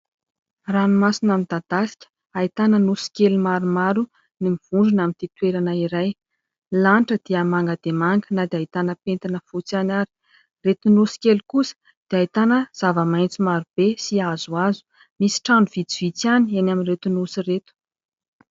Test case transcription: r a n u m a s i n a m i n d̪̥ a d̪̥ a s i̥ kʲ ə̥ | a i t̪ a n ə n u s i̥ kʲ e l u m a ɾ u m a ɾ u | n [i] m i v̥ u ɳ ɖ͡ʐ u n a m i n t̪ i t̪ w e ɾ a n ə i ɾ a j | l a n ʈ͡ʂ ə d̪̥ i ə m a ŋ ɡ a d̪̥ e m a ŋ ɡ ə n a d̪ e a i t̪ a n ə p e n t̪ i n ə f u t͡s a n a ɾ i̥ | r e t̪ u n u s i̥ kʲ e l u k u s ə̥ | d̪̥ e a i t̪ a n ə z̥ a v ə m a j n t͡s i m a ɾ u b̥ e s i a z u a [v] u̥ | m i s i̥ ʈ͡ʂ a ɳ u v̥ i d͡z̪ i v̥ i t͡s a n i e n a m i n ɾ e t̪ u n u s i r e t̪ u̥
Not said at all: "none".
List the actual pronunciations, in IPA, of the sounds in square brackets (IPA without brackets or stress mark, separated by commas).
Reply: i, z